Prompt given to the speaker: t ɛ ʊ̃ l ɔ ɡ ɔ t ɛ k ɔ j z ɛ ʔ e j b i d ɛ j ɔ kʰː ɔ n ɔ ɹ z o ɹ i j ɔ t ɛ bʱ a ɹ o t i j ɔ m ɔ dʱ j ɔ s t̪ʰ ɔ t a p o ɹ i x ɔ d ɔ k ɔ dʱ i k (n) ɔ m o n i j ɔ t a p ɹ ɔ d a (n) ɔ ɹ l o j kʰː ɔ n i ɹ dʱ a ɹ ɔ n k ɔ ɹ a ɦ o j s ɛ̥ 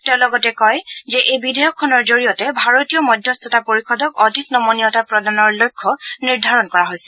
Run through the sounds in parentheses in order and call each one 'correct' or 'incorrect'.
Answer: correct, correct

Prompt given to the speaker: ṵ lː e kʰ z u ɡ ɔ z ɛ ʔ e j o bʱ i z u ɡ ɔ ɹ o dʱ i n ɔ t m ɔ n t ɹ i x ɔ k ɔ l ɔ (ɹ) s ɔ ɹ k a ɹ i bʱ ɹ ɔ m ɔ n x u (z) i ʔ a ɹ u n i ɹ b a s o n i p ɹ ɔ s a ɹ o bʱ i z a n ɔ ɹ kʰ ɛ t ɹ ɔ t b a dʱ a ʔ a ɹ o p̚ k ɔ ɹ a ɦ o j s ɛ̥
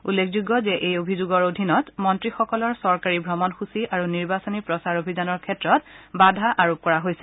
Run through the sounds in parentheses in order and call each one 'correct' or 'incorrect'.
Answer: correct, incorrect: s

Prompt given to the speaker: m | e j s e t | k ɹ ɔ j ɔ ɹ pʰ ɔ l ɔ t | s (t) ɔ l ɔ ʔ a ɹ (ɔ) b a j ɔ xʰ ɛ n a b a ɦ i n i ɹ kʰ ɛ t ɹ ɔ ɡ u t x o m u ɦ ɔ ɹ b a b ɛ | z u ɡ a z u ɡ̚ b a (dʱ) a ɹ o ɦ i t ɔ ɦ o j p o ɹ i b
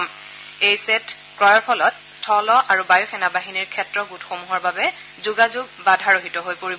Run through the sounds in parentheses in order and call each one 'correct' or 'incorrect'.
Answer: incorrect: tʰ, incorrect: u, correct

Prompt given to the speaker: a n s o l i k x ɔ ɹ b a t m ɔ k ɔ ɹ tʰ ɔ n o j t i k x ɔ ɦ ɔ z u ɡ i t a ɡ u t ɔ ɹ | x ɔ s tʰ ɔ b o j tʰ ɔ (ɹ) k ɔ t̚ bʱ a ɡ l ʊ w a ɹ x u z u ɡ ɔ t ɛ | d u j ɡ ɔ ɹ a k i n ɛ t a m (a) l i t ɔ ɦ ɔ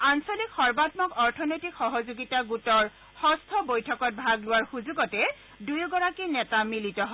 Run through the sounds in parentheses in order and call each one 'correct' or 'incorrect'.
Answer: incorrect: none, incorrect: i

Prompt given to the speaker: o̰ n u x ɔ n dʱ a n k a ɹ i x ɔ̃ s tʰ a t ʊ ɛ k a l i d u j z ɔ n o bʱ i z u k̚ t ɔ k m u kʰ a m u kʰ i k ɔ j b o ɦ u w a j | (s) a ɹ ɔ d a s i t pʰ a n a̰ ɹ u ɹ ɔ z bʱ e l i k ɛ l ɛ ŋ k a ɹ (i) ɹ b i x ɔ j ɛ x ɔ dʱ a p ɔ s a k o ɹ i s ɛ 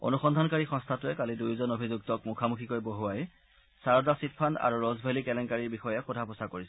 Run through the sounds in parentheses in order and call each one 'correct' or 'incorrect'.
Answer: correct, correct

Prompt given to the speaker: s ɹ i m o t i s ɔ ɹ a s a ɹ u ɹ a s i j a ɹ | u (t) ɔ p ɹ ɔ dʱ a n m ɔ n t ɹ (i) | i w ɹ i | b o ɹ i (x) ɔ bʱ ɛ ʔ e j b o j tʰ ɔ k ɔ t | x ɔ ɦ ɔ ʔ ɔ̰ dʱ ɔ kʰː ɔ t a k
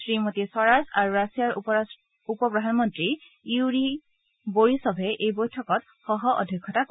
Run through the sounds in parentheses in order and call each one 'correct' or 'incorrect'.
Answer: incorrect: p, correct, incorrect: s

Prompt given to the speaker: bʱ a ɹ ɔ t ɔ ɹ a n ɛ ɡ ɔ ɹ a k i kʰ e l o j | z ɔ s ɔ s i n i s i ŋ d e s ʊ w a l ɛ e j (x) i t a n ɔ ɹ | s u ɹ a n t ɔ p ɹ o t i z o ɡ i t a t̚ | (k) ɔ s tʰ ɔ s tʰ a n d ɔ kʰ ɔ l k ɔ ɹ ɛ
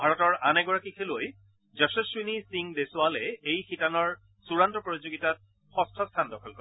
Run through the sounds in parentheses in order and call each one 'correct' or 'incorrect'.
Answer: correct, incorrect: x

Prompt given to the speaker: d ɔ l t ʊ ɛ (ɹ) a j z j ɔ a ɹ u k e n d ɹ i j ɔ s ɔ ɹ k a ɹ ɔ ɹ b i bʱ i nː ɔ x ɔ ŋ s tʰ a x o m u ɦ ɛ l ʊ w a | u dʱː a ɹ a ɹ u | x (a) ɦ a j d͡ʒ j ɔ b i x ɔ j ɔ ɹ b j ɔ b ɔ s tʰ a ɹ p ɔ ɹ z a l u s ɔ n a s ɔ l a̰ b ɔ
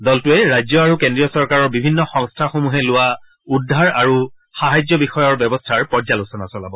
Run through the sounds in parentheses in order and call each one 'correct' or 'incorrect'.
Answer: correct, correct

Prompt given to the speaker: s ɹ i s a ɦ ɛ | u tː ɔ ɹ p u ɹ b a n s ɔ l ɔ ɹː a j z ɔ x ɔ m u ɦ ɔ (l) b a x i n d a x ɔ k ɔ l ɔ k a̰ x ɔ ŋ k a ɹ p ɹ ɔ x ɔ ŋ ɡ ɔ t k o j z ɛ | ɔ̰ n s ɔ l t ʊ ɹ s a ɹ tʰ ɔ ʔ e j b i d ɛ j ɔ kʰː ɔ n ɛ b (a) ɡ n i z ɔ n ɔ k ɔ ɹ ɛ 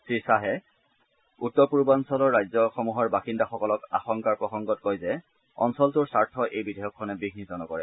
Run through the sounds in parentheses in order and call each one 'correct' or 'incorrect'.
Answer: incorrect: ɹ, incorrect: i

